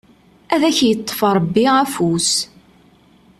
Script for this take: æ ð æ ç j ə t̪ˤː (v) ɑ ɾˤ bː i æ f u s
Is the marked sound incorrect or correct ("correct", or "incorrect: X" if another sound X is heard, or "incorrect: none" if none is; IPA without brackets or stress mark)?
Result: incorrect: f